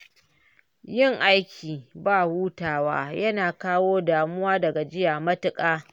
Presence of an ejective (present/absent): present